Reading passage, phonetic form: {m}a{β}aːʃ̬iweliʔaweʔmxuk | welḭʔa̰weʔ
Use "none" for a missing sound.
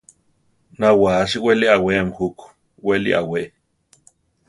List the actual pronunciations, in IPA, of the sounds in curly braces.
n, w

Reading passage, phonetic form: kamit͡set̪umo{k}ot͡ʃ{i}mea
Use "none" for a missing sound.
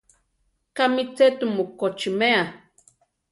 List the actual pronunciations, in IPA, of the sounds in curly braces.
k, i

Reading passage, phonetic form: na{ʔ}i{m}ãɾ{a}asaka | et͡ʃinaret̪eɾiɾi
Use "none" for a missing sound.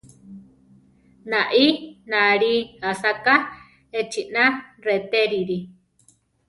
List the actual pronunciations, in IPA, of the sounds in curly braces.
ʔ, n, i

